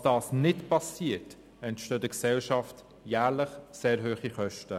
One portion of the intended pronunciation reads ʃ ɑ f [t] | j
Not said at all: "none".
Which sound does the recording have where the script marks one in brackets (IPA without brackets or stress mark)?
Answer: t